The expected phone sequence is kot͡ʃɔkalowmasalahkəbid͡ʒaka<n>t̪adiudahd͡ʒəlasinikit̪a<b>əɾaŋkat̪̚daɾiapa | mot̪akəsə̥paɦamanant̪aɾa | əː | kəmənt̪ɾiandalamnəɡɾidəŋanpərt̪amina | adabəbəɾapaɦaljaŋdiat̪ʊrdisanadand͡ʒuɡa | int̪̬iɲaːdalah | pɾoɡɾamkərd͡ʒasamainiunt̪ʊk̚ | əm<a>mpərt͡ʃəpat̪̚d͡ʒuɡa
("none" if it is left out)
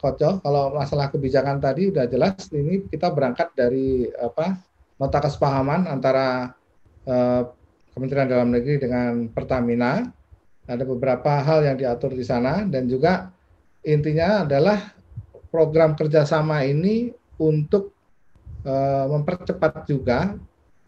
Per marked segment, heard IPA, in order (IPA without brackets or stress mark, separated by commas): n, b, ə